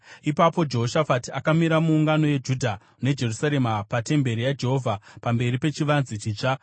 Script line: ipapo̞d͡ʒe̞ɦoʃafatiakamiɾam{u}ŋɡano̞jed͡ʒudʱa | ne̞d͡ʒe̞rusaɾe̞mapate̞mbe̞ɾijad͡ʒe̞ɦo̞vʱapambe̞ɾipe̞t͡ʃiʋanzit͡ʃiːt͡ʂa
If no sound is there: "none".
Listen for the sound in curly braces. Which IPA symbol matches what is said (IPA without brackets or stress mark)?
uː